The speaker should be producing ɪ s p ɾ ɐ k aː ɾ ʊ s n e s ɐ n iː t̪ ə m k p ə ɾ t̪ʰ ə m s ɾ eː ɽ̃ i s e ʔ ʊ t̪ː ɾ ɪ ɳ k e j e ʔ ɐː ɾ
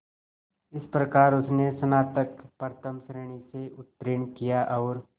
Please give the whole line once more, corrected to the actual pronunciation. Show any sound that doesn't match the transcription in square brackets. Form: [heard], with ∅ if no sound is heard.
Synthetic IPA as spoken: ɪ s p ɾ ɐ k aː ɾ ʊ s n e s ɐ n [aː] t̪ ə [∅] k p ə ɾ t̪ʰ ə m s ɾ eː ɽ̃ i s e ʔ ʊ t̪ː ɾ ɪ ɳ k [i] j [a] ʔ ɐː ɾ

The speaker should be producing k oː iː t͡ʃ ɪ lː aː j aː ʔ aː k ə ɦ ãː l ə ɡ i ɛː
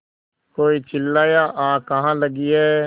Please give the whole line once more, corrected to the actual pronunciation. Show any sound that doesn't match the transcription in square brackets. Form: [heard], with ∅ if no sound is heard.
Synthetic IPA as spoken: k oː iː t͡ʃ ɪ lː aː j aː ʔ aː k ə ɦ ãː l ə ɡ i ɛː

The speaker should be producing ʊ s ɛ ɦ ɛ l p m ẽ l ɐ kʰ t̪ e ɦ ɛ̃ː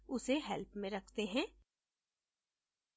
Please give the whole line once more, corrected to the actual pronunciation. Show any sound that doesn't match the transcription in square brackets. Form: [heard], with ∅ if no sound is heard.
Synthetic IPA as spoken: ʊ s [e] ɦ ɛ l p m ẽ [ɾ] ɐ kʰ t̪ e ɦ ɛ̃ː

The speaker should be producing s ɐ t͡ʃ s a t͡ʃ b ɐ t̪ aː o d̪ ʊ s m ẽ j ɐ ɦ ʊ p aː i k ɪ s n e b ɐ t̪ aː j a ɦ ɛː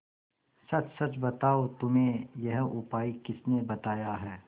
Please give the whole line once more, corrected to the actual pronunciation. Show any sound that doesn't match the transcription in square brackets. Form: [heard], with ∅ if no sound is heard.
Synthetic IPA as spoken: s ɐ t͡ʃ s [ɐ] t͡ʃ b ɐ t̪ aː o [t̪] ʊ [∅] m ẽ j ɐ ɦ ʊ p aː i k ɪ s n e b ɐ t̪ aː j a ɦ ɛː

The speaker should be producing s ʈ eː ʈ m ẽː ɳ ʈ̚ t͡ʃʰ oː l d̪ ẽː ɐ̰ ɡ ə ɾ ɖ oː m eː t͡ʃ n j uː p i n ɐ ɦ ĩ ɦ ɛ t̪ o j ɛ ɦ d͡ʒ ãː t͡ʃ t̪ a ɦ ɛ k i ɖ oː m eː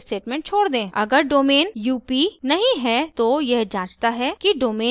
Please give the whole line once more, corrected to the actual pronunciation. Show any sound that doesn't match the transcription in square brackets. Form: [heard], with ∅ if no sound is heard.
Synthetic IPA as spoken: s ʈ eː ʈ m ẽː ɳ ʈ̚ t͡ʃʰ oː [ɽ] d̪ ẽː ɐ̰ ɡ ə ɾ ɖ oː m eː [∅] n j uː p i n ɐ ɦ ĩ ɦ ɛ t̪ o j ɛ ɦ d͡ʒ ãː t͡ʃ t̪ a ɦ ɛ k i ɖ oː m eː

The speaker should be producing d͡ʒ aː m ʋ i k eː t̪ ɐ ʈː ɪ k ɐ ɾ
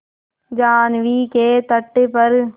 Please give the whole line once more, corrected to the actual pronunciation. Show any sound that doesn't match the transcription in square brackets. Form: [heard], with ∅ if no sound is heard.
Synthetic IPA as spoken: d͡ʒ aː [n] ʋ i k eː t̪ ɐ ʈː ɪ [p] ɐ ɾ

